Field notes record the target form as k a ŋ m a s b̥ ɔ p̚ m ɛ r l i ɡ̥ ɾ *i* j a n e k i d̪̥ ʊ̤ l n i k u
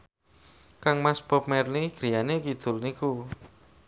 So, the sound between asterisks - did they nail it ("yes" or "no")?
yes